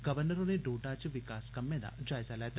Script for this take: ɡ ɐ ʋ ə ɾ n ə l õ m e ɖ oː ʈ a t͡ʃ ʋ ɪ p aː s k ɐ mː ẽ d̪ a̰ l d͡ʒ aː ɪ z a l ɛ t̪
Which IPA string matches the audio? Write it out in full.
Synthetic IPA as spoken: ɡ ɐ ʋ ə ɾ n ə ɾ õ n e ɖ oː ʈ a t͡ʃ ʋ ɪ k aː s k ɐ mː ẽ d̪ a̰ d͡ʒ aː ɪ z a l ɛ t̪